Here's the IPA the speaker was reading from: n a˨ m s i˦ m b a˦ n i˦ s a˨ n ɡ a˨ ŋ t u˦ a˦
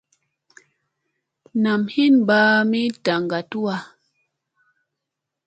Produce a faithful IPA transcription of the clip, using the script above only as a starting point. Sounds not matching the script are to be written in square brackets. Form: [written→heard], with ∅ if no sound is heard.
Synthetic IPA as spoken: n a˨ m [s→h] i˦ [m→n] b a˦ [n→m] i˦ [s→t] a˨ [n→ŋ] ɡ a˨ [ŋ→∅] t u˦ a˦